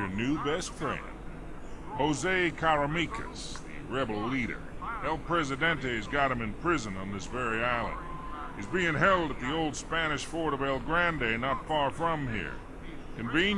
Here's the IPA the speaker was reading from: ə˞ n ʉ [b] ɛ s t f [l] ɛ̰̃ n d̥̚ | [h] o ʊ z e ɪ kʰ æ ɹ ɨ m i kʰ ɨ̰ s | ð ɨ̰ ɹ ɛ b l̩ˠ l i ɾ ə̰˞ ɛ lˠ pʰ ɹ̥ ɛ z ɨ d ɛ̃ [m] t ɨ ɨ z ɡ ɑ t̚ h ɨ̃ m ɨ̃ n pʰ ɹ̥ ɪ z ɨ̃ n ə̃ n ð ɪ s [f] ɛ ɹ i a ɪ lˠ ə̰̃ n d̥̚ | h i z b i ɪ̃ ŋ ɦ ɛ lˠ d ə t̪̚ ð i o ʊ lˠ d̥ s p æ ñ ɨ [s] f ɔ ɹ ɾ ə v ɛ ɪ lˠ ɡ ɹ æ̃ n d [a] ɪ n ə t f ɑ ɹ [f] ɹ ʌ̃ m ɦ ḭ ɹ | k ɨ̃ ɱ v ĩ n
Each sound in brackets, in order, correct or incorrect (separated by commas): correct, incorrect, correct, incorrect, incorrect, incorrect, incorrect, correct